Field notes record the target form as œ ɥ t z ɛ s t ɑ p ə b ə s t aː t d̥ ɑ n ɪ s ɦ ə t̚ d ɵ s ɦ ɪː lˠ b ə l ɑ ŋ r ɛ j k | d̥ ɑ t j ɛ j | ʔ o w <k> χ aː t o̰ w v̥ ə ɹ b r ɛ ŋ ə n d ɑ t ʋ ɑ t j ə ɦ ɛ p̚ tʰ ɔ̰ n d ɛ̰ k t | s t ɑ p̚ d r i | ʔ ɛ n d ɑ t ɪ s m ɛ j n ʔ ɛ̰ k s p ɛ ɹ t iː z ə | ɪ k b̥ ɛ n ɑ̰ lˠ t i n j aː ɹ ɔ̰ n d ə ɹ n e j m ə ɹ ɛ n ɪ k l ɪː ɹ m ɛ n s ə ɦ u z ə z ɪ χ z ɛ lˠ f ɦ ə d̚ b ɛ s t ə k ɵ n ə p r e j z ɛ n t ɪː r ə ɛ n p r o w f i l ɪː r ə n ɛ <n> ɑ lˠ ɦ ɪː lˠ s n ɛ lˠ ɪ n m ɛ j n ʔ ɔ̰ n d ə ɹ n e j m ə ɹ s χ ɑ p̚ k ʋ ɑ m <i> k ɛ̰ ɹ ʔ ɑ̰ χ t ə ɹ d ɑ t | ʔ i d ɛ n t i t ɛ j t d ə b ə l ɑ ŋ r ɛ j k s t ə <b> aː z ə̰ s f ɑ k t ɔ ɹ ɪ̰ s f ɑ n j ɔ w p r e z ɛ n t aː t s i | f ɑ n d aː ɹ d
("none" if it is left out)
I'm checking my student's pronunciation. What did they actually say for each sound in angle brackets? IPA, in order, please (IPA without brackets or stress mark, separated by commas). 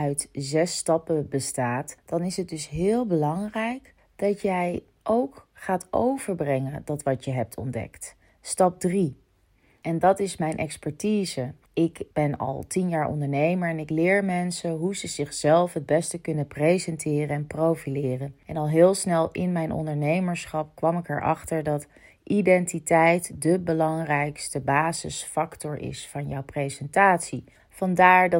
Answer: k, n, ɪ, b